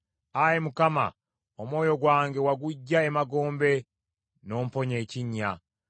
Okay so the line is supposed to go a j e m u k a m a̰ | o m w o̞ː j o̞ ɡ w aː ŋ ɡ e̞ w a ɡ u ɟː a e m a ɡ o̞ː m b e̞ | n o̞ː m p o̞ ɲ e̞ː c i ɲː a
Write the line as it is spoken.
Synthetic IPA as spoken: a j e m u k a m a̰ | o m w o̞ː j o̞ ɡ w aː ŋ ɡ e̞ w a ɡ u ɟː a e m a ɡ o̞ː m b e̞ | n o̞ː m p o̞ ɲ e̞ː c i ɲː a